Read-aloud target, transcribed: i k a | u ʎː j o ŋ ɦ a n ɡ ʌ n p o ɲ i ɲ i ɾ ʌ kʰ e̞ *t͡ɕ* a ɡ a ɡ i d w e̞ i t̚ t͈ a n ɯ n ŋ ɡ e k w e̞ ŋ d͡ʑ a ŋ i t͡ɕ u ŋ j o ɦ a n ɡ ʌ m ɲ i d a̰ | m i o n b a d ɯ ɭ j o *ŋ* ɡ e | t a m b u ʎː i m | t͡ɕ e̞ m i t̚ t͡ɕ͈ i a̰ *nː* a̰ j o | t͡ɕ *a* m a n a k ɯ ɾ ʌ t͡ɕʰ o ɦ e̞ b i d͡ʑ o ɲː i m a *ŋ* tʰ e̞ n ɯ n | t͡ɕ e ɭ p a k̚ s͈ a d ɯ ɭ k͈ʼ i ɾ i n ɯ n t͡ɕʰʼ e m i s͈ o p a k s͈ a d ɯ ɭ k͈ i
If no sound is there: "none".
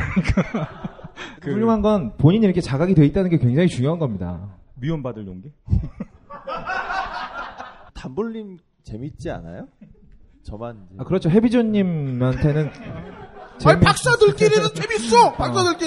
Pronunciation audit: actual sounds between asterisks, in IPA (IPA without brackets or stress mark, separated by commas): t͡ɕ, ŋ, n, ʌ, n